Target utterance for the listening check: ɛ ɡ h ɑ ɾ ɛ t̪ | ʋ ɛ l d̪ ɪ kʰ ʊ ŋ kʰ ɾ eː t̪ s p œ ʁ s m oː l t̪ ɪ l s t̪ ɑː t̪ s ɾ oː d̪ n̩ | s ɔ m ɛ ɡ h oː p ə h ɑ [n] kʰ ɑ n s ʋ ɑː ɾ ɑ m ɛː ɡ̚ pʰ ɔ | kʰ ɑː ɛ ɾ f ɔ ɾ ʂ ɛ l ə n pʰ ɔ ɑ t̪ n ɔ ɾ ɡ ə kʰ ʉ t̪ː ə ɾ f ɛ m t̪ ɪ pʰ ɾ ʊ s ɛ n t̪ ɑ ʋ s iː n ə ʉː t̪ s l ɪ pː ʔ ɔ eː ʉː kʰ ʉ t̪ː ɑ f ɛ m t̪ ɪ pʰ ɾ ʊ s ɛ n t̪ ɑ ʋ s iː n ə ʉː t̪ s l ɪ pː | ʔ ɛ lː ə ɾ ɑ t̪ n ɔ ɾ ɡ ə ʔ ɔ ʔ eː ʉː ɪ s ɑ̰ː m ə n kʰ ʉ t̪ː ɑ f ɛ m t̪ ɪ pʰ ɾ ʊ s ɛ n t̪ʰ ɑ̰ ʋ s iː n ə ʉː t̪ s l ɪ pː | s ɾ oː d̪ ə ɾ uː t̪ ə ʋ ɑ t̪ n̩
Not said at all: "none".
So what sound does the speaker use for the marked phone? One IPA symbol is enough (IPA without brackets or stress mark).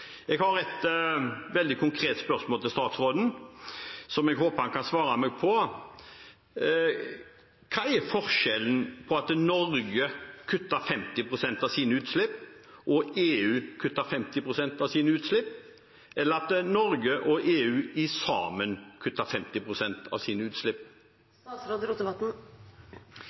n